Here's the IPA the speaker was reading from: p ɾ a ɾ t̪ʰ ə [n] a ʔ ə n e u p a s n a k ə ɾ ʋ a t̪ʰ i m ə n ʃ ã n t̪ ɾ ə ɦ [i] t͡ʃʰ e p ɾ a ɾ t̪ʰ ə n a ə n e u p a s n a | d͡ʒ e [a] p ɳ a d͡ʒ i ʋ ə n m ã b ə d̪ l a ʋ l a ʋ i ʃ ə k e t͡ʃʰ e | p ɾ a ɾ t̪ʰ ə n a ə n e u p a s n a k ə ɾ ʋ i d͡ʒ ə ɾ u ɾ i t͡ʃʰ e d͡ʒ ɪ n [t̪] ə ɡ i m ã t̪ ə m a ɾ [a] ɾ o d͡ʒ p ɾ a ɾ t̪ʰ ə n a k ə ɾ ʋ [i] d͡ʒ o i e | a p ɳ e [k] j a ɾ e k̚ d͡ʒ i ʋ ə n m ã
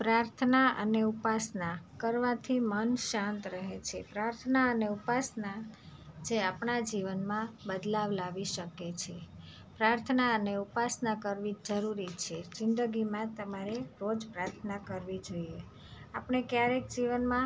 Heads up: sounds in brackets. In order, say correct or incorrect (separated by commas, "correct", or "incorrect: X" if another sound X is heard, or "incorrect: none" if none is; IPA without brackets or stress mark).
correct, incorrect: e, correct, incorrect: d̪, incorrect: e, correct, correct